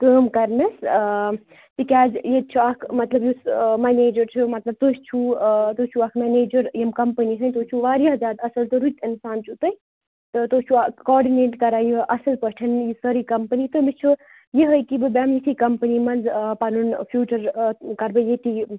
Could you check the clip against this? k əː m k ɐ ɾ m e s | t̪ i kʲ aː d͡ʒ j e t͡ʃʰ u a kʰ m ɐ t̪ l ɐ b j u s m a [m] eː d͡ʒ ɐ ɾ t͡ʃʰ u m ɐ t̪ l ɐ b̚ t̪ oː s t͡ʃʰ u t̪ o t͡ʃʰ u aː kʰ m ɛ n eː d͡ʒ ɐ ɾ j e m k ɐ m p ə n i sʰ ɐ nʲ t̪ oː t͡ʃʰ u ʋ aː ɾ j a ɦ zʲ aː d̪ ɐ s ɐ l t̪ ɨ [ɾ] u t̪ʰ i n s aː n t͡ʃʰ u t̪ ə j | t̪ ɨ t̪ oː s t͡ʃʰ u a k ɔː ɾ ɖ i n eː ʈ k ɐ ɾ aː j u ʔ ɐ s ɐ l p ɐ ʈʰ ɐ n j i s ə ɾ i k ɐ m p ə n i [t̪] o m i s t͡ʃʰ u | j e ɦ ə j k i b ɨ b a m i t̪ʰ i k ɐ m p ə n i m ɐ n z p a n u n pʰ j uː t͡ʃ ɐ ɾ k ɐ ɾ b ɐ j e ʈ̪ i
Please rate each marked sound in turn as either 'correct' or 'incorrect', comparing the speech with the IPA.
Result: incorrect, correct, correct

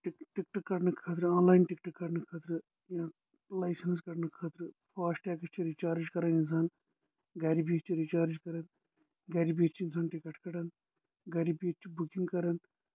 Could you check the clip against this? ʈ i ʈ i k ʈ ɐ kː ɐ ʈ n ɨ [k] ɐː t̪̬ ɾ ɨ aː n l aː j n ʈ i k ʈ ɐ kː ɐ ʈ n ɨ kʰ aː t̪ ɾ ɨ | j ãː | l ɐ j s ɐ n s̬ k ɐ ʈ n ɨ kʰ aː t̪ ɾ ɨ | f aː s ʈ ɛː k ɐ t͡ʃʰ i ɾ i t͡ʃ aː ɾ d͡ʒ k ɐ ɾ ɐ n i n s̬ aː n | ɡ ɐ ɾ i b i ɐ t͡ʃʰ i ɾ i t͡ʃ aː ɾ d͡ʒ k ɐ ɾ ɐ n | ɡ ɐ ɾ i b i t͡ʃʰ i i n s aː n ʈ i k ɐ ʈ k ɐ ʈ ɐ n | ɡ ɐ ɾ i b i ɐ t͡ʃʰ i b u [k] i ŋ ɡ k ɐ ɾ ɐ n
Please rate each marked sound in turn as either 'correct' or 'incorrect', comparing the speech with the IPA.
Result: incorrect, correct

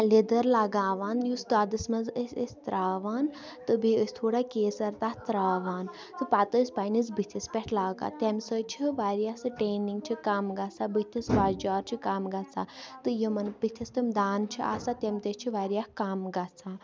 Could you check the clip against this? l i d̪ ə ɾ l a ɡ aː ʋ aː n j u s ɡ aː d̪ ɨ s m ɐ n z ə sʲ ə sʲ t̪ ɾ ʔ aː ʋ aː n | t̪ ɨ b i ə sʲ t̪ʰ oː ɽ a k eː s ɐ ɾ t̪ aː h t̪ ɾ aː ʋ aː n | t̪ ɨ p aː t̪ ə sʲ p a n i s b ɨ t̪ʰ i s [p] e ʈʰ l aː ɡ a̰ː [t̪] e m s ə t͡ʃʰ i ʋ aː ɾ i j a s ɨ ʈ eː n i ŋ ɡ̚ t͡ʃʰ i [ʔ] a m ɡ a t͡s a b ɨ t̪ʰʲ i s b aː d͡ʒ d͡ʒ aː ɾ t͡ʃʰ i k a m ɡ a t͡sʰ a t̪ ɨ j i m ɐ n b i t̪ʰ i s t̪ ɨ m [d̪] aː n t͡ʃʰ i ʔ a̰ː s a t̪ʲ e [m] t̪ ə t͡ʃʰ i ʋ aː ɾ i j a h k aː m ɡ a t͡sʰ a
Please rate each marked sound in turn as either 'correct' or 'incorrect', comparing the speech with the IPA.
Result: correct, correct, incorrect, correct, correct

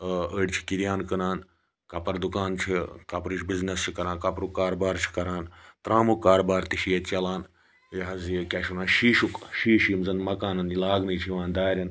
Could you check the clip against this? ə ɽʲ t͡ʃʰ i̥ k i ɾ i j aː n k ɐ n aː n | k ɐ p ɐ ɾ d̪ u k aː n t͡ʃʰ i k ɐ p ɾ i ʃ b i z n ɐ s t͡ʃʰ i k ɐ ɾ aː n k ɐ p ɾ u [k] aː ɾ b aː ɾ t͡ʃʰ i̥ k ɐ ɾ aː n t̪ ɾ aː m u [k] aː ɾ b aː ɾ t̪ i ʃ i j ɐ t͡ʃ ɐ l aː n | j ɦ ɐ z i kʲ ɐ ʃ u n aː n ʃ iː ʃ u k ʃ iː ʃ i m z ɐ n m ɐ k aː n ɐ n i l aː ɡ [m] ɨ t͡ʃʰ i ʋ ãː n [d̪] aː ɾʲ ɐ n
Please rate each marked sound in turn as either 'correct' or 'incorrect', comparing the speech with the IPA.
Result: correct, correct, incorrect, correct

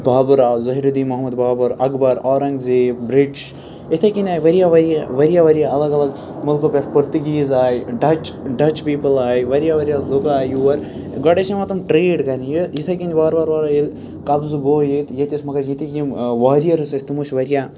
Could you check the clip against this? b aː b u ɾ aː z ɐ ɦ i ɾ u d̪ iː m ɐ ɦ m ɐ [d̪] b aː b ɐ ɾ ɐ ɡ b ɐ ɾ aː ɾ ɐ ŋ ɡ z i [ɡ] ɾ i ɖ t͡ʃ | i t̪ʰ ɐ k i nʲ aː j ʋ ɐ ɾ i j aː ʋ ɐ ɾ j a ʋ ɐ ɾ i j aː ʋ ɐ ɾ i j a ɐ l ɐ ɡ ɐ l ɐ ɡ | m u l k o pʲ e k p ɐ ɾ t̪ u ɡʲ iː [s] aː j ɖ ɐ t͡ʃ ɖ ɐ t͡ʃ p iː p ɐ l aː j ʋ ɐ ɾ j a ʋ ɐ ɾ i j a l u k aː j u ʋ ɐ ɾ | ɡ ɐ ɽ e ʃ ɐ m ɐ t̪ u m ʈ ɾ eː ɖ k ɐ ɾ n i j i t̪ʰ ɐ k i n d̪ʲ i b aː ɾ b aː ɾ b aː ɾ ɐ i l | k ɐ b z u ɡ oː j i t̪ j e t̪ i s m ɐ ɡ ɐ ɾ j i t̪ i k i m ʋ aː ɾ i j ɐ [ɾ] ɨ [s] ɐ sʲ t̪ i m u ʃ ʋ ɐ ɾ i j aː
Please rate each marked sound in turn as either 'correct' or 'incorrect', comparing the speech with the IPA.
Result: correct, incorrect, incorrect, correct, correct

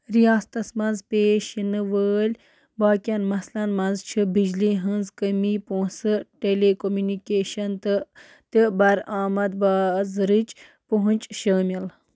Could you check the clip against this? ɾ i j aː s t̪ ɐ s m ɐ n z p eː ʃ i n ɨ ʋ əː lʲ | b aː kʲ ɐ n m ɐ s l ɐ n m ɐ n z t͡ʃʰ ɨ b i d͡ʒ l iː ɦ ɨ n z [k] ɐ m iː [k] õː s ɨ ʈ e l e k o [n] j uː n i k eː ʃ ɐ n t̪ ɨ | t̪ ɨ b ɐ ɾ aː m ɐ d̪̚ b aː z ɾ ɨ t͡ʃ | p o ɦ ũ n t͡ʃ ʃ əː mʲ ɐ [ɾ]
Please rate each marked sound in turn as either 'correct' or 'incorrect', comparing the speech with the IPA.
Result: correct, incorrect, incorrect, incorrect

